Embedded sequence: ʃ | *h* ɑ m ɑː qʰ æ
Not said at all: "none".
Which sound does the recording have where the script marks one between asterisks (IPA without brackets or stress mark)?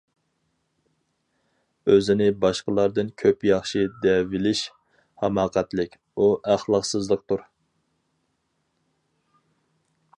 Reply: h